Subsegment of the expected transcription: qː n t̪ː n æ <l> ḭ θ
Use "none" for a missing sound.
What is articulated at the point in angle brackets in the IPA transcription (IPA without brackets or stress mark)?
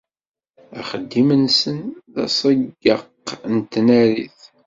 ɾ